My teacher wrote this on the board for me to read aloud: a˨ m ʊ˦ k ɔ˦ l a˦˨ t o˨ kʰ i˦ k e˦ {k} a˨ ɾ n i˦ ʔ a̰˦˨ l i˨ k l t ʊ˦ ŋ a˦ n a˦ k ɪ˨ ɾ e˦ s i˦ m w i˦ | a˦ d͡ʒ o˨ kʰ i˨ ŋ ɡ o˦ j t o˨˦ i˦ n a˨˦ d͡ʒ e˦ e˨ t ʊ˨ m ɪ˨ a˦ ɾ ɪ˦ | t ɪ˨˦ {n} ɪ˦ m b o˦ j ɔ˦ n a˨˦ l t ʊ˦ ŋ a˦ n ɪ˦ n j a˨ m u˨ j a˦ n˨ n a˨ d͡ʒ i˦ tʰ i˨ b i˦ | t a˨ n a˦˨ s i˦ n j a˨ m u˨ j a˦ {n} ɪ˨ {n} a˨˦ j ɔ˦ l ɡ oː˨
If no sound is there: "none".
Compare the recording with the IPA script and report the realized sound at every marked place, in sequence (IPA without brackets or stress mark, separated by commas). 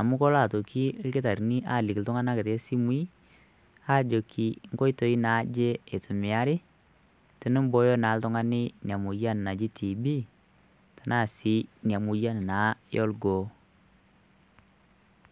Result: t, n, n, n